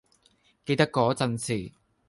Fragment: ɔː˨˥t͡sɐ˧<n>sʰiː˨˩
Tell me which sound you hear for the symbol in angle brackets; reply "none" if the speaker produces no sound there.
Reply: n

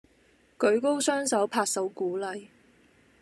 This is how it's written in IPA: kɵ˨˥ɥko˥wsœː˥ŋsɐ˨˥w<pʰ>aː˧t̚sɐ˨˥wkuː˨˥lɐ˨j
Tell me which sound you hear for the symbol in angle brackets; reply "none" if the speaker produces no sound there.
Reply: pʰ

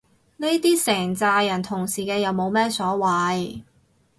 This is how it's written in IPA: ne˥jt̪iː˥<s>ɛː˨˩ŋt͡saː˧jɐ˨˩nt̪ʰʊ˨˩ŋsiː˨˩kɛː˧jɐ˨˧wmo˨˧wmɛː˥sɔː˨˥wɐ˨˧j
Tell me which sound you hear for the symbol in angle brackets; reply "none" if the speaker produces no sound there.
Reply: s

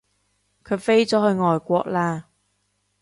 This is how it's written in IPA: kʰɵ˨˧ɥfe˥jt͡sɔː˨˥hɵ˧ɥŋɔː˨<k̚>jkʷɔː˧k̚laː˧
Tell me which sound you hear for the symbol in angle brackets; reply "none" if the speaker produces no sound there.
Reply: none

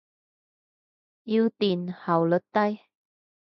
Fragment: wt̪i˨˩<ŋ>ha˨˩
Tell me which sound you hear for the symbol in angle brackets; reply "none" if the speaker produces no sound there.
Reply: n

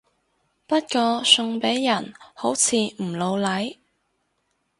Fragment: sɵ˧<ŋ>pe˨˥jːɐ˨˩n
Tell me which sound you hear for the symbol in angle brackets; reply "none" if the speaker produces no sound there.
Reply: ŋ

